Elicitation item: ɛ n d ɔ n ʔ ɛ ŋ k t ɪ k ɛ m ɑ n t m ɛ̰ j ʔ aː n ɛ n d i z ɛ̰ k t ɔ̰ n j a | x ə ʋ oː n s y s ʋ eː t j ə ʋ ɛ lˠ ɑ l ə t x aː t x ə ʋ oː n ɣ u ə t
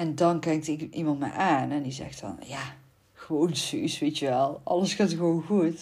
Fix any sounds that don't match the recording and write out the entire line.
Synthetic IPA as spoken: ɛ n d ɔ n k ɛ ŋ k t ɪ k i m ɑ n t m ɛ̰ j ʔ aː n ɛ n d i z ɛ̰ x t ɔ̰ n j a | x ə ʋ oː n s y s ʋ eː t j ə ʋ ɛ lˠ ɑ l ə s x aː t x ə ʋ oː n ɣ u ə t